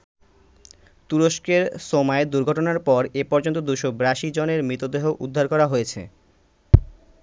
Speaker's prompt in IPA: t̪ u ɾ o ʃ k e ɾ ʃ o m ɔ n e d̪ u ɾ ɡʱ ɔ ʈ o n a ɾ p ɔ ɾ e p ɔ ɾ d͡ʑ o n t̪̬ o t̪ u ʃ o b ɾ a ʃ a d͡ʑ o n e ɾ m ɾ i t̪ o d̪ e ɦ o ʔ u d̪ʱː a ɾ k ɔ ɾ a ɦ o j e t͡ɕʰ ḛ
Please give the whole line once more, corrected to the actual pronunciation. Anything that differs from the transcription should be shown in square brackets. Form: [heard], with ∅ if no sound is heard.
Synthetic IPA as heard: t̪ u ɾ o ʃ k e ɾ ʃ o m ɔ [∅] e d̪ u ɾ ɡʱ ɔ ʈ o n a ɾ p ɔ ɾ e p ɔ ɾ d͡ʑ o n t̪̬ o [d̪] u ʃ o b ɾ a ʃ [i] d͡ʑ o n e ɾ m ɾ i t̪ o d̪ e ɦ o ʔ u d̪ʱː a ɾ k ɔ ɾ a ɦ o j e t͡ɕʰ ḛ